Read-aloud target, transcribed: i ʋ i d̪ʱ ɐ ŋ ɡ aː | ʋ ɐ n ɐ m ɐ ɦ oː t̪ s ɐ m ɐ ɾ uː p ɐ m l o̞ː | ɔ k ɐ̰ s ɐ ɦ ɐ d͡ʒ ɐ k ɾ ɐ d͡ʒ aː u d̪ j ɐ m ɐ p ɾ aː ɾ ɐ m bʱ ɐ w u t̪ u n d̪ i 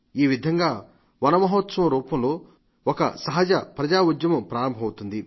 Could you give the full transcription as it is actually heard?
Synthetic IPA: iː ʋ i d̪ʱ ɐ ŋ ɡ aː | ʋ ɐ n ɐ m ɐ ɦ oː t̪ s ɐ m ɐ ɾ uː p ɐ m l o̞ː | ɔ k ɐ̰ s ɐ ɦ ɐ d͡ʒ ɐ p ɾ ɐ d͡ʒ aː u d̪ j ɐ m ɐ p ɾ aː ɾ ɐ m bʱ ɐ w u t̪ u n d̪ i